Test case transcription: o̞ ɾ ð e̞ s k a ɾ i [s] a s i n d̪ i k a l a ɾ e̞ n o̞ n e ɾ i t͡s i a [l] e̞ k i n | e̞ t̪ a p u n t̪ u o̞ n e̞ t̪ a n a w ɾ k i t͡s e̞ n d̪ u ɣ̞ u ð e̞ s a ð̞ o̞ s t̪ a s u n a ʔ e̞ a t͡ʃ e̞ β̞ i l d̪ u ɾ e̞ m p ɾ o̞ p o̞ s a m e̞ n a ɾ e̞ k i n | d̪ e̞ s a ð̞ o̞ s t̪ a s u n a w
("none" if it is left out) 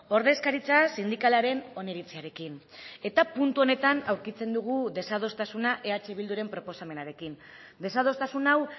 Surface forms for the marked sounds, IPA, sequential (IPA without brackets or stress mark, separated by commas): t͡s, ɾ